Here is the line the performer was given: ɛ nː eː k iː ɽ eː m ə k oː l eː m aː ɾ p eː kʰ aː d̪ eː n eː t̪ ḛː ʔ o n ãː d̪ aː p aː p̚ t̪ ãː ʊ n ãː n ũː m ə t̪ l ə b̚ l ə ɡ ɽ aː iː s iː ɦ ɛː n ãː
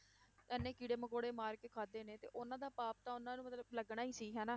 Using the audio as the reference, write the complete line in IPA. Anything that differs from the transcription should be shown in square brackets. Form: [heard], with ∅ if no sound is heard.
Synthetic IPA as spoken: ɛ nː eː k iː ɽ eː m ə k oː [ɽ] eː m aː ɾ [k] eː kʰ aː d̪ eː n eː t̪ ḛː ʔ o n ãː d̪ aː p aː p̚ t̪ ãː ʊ n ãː n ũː m ə t̪ l ə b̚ l ə ɡ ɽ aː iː s iː ɦ ɛː n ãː